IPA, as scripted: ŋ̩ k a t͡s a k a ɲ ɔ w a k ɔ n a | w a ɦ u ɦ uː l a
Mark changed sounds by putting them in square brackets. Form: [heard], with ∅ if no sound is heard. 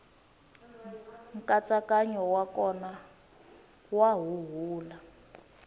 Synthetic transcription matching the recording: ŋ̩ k a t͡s a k a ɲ ɔ w a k ɔ n a | w a ɦ u ɦ uː l a